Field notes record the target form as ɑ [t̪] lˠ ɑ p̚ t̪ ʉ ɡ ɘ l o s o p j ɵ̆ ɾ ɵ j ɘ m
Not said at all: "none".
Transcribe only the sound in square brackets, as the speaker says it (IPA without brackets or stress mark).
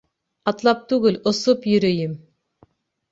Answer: t̪